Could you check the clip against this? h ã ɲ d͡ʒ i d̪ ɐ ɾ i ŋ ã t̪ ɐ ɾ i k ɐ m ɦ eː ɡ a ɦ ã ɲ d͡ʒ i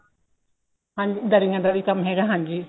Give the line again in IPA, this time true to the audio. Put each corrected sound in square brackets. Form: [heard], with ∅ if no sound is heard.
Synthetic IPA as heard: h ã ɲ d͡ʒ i d̪ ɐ ɾ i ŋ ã [d̪] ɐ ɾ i k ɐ m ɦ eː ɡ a ɦ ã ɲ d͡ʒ i

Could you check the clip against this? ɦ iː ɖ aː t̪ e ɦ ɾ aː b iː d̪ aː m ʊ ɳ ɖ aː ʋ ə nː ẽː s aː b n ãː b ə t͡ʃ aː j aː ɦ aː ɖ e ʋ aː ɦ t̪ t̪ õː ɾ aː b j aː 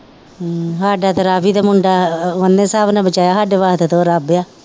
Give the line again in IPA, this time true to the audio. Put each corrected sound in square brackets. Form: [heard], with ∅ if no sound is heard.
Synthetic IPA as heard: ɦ [aː] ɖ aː t̪ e [∅] ɾ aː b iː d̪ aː m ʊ ɳ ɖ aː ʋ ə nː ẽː s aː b n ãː b ə t͡ʃ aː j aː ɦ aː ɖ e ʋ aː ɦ t̪ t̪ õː ɾ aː b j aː

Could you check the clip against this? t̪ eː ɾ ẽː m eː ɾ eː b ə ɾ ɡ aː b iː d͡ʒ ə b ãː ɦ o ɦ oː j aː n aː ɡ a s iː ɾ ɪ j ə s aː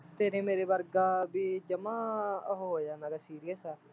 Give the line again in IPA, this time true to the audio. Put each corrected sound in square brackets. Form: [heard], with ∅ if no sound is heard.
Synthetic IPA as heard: t̪ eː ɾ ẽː m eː ɾ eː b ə ɾ ɡ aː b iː d͡ʒ ə [m] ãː ɦ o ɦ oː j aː n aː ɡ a s iː ɾ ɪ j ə s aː

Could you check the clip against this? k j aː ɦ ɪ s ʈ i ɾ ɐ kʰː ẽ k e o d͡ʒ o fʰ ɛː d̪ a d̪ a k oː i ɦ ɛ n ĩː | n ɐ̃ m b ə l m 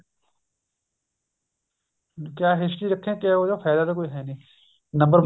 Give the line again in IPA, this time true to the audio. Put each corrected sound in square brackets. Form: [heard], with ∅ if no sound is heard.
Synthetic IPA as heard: k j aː ɦ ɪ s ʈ i ɾ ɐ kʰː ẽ k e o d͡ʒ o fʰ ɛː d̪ a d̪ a k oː i ɦ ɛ n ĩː | n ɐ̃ m b ə [ɾ] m

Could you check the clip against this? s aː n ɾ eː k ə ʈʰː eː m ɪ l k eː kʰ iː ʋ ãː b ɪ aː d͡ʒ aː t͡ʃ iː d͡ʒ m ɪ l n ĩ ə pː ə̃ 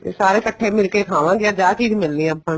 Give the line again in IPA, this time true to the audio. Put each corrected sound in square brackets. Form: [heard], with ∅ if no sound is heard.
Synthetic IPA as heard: s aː [∅] ɾ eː k ə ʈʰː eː m ɪ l k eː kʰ [aː] ʋ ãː [ɡ] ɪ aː d͡ʒ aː t͡ʃ iː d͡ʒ m ɪ l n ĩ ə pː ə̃

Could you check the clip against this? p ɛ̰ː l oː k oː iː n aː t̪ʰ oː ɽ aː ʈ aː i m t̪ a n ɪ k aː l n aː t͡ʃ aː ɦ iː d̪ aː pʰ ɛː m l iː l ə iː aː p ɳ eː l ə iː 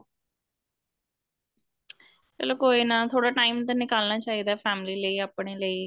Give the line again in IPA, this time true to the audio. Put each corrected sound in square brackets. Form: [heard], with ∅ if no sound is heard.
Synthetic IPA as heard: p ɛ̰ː l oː k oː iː n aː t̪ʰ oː ɽ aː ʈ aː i m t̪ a n ɪ k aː l n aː t͡ʃ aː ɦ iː d̪ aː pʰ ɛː m l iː l ə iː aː p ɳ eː l ə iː

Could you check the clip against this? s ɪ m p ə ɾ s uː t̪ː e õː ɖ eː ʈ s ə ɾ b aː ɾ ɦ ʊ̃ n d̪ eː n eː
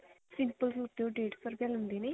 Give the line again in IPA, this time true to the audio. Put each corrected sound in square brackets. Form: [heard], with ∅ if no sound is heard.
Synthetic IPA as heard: s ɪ m p ə [l] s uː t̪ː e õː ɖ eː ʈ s ə ɾ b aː [l] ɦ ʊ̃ n d̪ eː n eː

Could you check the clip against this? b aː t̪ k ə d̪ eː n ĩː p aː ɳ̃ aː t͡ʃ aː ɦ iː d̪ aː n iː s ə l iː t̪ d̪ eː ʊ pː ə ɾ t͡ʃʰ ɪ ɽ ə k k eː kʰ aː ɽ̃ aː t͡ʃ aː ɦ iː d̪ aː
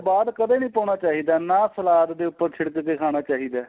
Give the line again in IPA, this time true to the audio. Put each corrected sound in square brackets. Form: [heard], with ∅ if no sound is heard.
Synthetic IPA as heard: b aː [d̪] k ə d̪ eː n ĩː p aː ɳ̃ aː t͡ʃ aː ɦ iː d̪ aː n [aː] s ə l [aː] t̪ d̪ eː ʊ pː ə ɾ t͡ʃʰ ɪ ɽ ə k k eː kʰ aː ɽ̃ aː t͡ʃ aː ɦ iː d̪ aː

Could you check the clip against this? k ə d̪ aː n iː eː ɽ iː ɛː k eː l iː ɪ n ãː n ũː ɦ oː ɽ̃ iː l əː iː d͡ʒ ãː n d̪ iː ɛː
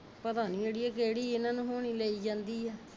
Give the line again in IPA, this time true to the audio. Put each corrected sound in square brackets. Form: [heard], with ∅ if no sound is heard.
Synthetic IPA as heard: [p] ə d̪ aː n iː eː ɽ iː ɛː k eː [ɽ] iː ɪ n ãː n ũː ɦ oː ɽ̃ iː l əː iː d͡ʒ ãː n d̪ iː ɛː

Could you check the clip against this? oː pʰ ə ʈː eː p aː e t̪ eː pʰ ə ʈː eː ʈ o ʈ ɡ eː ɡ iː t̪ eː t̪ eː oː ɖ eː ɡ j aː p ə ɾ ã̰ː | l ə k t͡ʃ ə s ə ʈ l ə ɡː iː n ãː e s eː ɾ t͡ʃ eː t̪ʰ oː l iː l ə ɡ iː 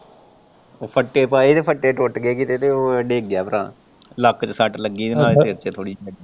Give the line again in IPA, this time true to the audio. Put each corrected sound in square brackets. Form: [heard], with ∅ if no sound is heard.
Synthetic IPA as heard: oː pʰ ə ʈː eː p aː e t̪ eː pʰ ə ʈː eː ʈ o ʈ ɡ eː [k] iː t̪ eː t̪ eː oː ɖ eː ɡ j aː p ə ɾ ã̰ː | l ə k t͡ʃ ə s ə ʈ l ə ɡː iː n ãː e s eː ɾ t͡ʃ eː t̪ʰ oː [ɽ] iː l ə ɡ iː

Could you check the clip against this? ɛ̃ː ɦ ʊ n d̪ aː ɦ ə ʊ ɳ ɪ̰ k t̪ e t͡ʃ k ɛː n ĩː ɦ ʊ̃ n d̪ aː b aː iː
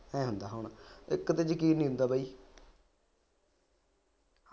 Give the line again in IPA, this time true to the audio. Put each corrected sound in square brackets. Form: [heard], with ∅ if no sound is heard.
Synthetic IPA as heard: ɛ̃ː ɦ ʊ n d̪ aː ɦ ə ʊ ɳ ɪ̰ k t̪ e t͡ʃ k [iː] n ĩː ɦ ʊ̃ n d̪ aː b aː iː

